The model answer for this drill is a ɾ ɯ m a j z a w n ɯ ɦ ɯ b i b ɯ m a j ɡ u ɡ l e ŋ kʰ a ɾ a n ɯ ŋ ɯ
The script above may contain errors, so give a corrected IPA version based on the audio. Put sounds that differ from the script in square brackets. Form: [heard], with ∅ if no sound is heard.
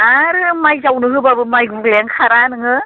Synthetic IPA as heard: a ɾ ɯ m a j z a w n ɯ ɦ ɯ b [a] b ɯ m a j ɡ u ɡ l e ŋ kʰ a ɾ a n ɯ ŋ ɯ